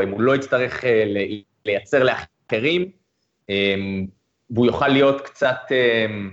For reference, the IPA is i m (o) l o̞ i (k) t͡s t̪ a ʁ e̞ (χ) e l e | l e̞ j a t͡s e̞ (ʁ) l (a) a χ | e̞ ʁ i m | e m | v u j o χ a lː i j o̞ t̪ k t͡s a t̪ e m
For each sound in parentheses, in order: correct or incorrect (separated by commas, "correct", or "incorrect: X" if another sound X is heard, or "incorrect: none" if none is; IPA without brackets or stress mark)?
incorrect: u, incorrect: none, correct, correct, incorrect: e